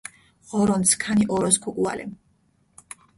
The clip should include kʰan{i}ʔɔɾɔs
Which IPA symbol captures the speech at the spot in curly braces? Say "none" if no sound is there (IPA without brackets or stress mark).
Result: i